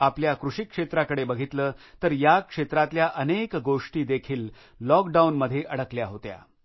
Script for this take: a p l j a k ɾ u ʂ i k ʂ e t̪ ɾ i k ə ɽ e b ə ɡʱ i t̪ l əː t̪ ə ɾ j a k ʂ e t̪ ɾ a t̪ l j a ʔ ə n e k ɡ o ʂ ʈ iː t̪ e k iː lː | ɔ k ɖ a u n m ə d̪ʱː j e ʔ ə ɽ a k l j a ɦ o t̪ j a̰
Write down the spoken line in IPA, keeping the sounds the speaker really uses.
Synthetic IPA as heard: a p l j a k ɾ u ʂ i k ʂ e t̪ ɾ a k ə ɽ e b ə ɡʱ i t̪ l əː t̪ ə ɾ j a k ʂ e t̪ ɾ a t̪ l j a ʔ ə n e k ɡ o ʂ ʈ iː d̪ e kʰ iː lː | ɔ k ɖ a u n m ə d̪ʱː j e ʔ ə ɽ ə k l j a ɦ o t̪ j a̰